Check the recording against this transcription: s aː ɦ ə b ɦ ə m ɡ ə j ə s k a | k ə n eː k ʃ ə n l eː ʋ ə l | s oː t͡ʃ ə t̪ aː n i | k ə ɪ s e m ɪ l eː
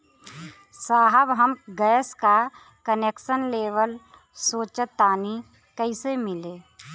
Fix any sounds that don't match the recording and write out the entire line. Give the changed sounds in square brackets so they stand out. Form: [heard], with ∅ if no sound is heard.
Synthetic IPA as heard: s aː ɦ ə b ɦ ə m ɡ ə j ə s k a | k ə n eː k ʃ ə n l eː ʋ ə l | s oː t͡ʃ ə t̪ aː n i | k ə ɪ s e m ɪ l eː

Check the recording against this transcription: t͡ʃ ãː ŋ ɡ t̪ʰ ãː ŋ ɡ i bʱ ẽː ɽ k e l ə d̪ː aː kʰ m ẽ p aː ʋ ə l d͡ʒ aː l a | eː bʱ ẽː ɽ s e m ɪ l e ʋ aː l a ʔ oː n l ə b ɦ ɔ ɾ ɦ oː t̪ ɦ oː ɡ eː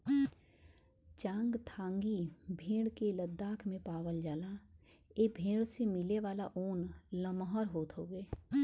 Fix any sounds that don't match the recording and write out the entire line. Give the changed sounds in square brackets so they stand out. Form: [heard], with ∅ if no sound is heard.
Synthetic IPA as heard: t͡ʃ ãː ŋ ɡ t̪ʰ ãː ŋ ɡ i bʱ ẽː ɽ k e l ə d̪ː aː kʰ m ẽ p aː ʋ ə l d͡ʒ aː l a | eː bʱ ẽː ɽ s e m ɪ l e ʋ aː l a ʔ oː n l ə [m] ɦ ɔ ɾ ɦ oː t̪ ɦ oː ɡ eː

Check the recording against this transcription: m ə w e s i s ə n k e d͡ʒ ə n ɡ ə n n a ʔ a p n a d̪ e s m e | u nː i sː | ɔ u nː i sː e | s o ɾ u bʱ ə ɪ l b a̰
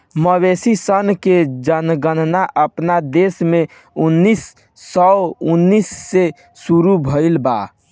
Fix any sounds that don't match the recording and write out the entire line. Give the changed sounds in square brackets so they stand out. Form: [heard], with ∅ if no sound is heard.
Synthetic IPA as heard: m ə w e s i s ə n k e d͡ʒ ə n ɡ ə n n a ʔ [ə] p n a d̪ e s m e | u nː i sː | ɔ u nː i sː e | s [u] ɾ u bʱ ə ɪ l b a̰

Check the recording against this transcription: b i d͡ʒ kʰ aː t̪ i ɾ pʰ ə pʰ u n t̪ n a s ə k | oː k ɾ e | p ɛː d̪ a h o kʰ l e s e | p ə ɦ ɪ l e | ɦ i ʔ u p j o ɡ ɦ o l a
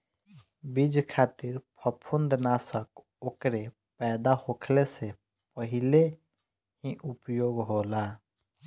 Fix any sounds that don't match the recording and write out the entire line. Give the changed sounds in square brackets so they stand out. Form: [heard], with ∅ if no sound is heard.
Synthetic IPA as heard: b i d͡ʒ kʰ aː t̪ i ɾ pʰ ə pʰ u n [d̪] n a s ə k | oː k ɾ e | p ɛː d̪ a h o kʰ l e s e | p ə ɦ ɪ l e | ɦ i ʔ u p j o ɡ ɦ o l a

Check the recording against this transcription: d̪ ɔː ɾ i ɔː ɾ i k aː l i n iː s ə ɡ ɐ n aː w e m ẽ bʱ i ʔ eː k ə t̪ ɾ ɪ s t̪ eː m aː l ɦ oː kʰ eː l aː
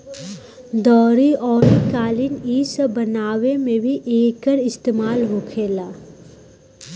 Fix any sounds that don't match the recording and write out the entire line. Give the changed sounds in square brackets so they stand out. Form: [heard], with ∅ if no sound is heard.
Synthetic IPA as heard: d̪ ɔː ɾ i ɔː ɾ i k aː l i n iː s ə [b] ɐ n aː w e m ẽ bʱ i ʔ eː k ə [∅] ɾ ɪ s t̪ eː m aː l ɦ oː kʰ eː l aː

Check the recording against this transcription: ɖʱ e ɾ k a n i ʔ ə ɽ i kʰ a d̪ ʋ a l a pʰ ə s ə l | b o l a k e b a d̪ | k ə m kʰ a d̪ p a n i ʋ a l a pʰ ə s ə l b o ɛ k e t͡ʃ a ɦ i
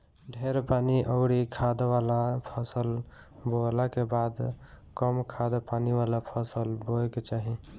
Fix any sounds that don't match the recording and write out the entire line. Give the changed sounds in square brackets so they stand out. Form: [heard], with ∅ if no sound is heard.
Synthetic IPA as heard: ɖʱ e ɾ [p] a n i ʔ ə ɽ i kʰ a d̪ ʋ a l a pʰ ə s ə l | b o l a k e b a d̪ | k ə m kʰ a d̪ p a n i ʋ a l a pʰ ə s ə l b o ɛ k e t͡ʃ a ɦ i

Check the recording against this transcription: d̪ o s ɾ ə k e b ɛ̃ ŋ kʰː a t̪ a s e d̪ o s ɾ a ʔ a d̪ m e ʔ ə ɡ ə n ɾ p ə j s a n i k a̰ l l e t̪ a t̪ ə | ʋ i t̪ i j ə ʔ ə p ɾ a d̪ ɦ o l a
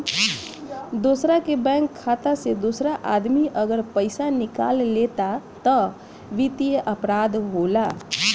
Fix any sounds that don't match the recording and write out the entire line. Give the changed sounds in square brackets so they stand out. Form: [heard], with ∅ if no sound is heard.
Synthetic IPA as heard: d̪ o s ɾ [a] k e b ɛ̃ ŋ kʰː a t̪ a s e d̪ o s ɾ a ʔ a d̪ m [i] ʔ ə ɡ ə [∅] ɾ p ə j s a n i k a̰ l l e t̪ a t̪ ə | ʋ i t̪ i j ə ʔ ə p ɾ a d̪ ɦ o l a

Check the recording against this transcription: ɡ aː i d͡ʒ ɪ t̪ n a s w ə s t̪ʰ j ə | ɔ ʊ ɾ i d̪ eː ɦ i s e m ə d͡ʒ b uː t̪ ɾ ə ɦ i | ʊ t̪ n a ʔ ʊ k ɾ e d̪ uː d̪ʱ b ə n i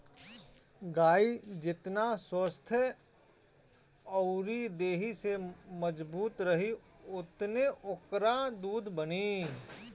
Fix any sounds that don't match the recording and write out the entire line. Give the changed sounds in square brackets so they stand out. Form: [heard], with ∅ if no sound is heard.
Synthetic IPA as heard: ɡ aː i d͡ʒ ɪ t̪ n a s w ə s t̪ʰ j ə | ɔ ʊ ɾ i d̪ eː ɦ i s e m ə d͡ʒ b uː t̪ ɾ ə ɦ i | ʊ t̪ n [e] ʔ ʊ k ɾ [a] d̪ uː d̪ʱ b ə n i

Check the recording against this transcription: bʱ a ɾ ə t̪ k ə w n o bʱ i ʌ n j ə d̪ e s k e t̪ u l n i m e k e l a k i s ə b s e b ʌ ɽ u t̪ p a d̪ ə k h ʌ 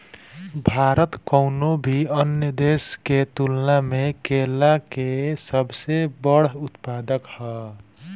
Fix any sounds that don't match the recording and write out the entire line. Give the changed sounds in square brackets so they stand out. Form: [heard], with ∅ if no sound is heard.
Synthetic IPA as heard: bʱ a ɾ ə t̪ k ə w n o bʱ i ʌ n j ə d̪ e s k e t̪ u l n [a] m e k e l a k [e] s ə b s e b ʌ ɽ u t̪ p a d̪ ə k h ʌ

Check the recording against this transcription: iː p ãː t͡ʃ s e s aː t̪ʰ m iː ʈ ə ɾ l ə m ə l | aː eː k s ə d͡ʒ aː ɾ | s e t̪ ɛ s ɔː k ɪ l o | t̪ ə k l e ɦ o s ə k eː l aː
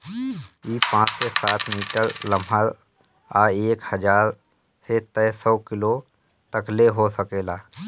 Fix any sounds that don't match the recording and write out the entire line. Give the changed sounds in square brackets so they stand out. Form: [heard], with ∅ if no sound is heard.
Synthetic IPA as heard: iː p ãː t͡ʃ s e s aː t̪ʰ m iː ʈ ə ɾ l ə m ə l | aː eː k [h] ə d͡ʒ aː ɾ | s e t̪ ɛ s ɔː k ɪ l o | t̪ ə k l e ɦ o s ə k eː l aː

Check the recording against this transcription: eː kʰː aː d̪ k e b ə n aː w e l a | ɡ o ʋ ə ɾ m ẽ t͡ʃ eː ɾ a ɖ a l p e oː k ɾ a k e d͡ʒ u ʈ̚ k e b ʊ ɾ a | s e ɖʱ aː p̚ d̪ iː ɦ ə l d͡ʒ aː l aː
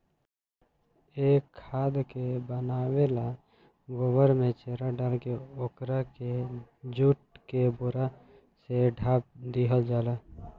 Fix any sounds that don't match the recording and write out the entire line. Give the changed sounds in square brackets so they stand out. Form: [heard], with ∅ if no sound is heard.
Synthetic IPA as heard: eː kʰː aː d̪ k e b ə n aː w e l a | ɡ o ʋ ə ɾ m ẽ t͡ʃ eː ɾ a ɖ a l [k] e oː k ɾ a k e d͡ʒ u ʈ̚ k e b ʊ ɾ a | s e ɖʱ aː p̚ d̪ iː ɦ ə l d͡ʒ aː l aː

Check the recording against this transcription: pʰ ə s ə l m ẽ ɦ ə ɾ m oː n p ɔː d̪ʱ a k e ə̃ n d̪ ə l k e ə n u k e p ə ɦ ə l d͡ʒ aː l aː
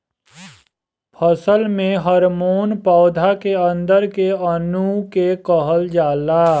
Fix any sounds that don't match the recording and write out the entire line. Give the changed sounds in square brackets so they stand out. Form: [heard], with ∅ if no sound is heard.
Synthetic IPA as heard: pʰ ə s ə l m ẽ ɦ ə ɾ m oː n p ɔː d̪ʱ a k e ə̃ n d̪ ə [ɾ] k e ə n u k e [k] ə ɦ ə l d͡ʒ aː l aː

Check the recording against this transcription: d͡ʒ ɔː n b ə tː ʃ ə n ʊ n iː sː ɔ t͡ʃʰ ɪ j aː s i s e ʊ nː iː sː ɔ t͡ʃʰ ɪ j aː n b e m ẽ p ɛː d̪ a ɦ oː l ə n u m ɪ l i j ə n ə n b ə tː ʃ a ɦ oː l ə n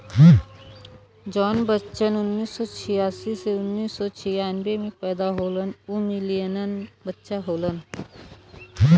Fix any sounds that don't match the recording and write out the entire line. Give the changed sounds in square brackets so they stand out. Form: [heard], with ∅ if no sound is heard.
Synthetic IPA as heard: d͡ʒ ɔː n b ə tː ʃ ə n ʊ [nː] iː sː ɔ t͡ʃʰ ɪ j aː s i s e ʊ nː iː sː ɔ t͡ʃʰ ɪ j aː n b e m ẽ p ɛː d̪ a ɦ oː l ə n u m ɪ l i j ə n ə n b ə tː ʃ a ɦ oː l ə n

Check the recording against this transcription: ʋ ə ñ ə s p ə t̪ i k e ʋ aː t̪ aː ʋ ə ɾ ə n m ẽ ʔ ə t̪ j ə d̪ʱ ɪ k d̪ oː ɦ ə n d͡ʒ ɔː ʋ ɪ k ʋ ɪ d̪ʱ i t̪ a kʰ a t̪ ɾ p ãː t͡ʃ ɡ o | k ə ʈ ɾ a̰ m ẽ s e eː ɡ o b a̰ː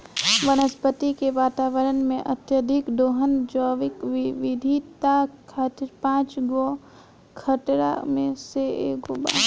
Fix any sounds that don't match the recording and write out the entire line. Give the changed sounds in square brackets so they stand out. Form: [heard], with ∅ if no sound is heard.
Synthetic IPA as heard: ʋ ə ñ ə s p ə t̪ i k e ʋ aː t̪ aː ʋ ə ɾ ə n m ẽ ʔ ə t̪ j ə d̪ʱ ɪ k d̪ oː ɦ ə n d͡ʒ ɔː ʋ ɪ k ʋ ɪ d̪ʱ i t̪ a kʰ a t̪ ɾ p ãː t͡ʃ ɡ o | [kʰ] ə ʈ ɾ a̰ m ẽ s e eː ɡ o b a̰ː

